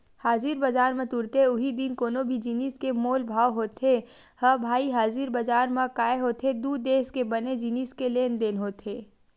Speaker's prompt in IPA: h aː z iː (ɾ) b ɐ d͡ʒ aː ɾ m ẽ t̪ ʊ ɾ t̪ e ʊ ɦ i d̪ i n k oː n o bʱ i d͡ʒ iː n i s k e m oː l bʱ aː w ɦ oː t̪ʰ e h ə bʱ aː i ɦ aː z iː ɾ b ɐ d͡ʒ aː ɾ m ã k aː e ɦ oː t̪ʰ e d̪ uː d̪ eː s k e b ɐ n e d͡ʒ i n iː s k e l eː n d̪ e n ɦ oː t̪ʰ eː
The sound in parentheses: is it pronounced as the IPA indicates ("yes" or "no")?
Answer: yes